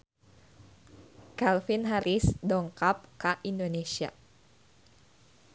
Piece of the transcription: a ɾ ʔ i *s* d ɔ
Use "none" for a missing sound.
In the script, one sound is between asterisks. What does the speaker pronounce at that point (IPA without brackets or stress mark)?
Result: s